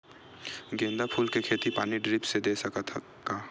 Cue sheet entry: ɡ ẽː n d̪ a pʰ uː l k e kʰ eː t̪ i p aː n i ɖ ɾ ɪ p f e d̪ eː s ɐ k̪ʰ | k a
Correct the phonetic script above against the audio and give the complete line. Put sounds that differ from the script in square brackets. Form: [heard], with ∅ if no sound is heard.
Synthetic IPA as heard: ɡ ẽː n d̪ a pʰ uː l k e kʰ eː t̪ i p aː n i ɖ ɾ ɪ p [s] e d̪ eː s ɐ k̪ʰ | k a